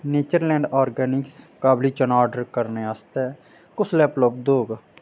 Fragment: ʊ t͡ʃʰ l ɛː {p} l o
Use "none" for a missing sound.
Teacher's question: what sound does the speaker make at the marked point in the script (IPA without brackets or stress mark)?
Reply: p